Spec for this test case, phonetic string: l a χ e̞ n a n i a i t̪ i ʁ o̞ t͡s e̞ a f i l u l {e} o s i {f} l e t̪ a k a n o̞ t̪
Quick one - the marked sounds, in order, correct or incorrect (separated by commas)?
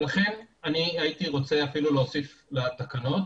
correct, correct